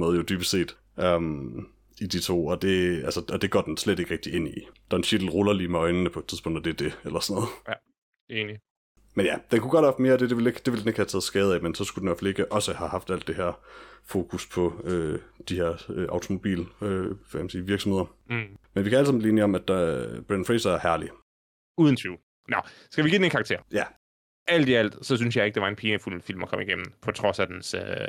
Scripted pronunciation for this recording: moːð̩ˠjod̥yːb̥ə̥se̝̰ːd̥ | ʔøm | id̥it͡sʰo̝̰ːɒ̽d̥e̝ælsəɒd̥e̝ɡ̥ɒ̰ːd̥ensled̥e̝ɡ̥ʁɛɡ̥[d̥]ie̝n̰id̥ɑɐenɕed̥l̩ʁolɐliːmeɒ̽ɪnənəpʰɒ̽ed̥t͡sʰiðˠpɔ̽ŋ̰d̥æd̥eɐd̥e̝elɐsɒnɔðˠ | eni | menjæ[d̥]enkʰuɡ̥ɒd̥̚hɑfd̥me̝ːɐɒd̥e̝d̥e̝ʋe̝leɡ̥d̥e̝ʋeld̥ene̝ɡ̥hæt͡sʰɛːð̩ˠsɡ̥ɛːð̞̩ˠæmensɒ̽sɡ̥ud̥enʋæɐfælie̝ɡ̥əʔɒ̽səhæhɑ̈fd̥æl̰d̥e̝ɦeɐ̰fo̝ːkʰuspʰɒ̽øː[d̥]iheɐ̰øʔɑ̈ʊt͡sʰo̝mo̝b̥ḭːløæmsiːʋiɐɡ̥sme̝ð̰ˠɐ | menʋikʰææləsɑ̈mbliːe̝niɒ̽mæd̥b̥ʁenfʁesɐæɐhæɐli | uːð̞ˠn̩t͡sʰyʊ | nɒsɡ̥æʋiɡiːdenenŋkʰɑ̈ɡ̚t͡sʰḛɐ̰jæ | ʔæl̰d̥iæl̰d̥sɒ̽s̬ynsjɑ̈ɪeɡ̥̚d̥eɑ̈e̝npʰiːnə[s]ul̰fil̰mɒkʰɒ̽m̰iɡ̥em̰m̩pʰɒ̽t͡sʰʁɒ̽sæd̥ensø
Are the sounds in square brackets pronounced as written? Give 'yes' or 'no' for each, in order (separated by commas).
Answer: yes, yes, yes, no